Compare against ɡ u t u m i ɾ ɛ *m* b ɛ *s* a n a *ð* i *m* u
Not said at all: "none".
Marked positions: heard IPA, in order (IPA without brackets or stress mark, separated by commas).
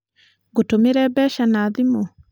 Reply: none, ʃ, ð, m